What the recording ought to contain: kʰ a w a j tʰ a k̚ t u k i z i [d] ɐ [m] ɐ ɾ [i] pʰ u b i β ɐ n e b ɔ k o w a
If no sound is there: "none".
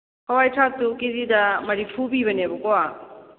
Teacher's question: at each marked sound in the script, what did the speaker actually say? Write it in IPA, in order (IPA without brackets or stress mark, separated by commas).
d, m, i